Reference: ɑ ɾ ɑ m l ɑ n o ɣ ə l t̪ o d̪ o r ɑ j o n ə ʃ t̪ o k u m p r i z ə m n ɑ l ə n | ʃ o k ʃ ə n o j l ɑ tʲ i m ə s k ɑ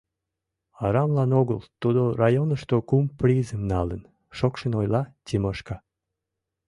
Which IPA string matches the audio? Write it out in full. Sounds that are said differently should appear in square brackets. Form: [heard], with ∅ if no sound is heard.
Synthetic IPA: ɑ ɾ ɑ m l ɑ n o ɣ ə l t̪ [u] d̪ o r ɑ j o n ə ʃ t̪ o k u m p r i z ə m n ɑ l ə n | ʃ o k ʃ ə n o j l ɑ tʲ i m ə [ʃ] k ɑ